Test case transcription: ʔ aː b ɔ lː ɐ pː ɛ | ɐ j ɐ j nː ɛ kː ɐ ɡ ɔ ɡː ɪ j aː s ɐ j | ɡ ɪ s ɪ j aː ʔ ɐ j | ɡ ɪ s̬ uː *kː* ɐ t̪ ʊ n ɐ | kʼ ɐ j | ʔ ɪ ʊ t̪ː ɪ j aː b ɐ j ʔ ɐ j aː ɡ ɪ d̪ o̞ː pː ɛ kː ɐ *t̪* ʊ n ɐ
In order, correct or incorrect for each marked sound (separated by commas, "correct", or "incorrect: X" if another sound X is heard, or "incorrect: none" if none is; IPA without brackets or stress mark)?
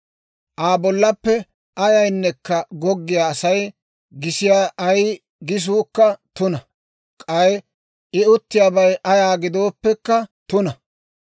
correct, correct